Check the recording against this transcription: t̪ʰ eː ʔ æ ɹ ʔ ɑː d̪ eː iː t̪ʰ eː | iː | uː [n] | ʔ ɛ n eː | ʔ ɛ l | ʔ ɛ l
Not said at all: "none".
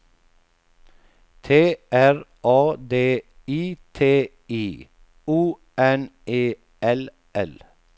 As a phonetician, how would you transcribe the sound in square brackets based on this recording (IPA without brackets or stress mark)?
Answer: none